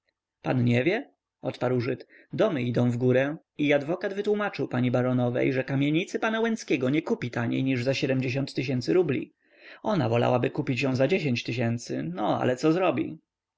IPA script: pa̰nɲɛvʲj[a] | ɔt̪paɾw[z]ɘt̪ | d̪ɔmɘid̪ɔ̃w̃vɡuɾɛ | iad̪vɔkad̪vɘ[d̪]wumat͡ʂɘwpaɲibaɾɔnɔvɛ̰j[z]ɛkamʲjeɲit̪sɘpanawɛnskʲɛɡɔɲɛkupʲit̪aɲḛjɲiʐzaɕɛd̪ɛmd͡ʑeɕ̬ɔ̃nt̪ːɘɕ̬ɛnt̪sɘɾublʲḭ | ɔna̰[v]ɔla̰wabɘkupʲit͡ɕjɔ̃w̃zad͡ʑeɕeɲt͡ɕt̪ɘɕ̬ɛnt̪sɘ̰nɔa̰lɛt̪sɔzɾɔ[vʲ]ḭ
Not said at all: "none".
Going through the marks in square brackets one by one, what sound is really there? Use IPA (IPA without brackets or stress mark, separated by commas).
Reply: ɛ, ʐ, t̪, ʐ, v, bʲ